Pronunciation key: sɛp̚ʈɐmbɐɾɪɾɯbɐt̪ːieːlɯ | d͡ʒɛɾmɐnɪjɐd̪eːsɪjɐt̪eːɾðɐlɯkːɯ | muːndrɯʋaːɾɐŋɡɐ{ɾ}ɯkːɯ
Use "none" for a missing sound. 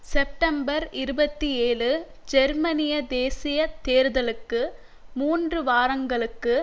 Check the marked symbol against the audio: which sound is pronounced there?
ɭ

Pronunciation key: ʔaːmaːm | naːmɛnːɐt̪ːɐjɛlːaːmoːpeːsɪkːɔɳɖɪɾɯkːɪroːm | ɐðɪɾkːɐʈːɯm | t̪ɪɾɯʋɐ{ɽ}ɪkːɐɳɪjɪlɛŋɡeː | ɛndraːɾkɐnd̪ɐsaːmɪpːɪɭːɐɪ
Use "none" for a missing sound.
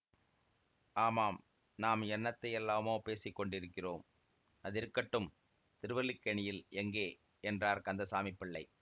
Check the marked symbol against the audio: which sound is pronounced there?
l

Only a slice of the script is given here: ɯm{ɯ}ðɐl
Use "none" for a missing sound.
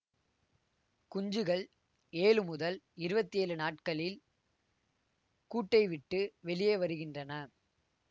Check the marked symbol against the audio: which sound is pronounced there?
ʊ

